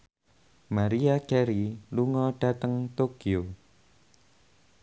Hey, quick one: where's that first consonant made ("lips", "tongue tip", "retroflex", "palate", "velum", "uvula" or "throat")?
lips